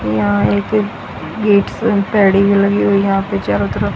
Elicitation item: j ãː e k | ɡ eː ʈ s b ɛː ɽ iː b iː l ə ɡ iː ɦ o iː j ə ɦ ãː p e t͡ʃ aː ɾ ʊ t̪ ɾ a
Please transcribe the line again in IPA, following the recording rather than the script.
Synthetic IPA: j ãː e k | ɡ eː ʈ s p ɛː ɽ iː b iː l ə ɡ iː ɦ o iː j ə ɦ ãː p e t͡ʃ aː ɾ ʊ t̪ ɾ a